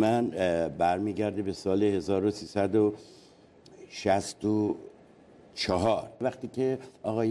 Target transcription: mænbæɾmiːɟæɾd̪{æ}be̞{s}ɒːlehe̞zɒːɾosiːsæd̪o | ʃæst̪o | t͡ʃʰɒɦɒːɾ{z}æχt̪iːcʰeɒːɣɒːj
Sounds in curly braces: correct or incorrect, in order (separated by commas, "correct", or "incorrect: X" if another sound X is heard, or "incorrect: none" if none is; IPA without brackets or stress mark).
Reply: incorrect: e, correct, incorrect: v